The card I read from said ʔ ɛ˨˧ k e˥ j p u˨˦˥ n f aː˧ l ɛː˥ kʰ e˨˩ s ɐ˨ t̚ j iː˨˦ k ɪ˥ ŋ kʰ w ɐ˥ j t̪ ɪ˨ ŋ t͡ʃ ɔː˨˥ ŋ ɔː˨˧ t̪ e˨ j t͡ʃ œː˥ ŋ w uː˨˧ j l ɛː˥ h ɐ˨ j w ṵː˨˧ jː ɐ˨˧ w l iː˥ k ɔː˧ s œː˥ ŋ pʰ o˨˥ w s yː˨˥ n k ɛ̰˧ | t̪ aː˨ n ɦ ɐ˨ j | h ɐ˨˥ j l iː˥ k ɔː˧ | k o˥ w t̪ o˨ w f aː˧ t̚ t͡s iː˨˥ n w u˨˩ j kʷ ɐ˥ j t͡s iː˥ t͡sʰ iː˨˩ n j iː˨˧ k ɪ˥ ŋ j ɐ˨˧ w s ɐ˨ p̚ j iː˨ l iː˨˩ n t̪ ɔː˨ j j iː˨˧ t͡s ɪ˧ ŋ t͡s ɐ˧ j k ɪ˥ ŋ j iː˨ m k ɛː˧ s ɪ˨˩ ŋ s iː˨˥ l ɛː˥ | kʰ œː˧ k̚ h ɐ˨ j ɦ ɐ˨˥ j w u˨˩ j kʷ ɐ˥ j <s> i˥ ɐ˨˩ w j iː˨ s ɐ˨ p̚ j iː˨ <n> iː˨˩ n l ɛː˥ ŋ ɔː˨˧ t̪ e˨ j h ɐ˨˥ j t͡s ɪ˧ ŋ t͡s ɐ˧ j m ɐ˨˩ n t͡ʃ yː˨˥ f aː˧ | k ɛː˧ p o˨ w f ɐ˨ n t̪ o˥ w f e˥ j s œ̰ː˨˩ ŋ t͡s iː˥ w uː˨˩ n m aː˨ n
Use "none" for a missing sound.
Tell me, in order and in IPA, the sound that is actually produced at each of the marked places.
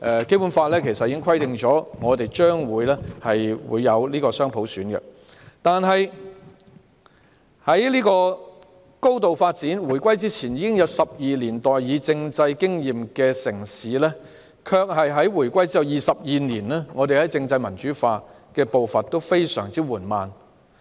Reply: t͡s, n

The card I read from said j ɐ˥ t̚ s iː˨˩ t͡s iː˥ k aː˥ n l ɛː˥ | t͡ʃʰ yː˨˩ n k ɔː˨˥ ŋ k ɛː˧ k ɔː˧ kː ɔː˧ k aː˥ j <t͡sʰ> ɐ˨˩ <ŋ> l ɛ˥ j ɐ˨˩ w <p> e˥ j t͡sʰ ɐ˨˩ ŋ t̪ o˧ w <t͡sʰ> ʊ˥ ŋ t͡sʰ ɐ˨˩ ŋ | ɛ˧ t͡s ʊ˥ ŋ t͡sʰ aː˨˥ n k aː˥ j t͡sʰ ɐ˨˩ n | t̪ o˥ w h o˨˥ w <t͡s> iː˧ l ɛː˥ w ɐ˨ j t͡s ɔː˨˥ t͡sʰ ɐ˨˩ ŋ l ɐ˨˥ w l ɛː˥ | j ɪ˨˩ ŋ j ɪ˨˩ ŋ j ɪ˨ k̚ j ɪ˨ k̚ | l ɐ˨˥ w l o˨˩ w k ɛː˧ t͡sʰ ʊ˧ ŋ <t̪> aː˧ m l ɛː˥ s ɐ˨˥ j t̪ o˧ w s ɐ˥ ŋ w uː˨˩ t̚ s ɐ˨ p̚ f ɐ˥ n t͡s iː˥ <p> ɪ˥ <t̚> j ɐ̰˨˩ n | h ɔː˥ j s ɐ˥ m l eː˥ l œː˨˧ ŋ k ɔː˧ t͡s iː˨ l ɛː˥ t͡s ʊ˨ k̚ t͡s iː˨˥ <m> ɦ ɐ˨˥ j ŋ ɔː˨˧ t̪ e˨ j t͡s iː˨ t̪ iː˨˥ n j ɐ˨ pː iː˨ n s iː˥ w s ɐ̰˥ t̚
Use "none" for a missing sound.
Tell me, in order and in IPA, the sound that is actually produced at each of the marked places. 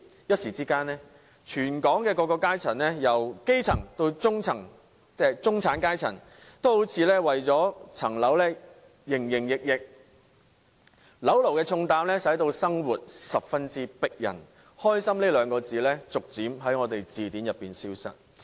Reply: t͡sʰ, n, k, t͡s, t͡sʰ, t̪, p, k̚, m

